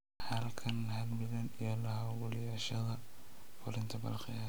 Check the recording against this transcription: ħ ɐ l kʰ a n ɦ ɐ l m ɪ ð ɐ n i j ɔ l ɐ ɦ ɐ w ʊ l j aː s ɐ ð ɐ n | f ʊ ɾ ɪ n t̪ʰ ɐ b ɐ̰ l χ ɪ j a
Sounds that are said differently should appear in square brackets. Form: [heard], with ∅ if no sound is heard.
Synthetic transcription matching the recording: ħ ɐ l kʰ [ɐ] n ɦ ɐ l m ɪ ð ɐ n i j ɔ l ɐ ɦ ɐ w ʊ l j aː [ʃ] ɐ ð ɐ [∅] | f ʊ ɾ ɪ n t̪ʰ ɐ b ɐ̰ l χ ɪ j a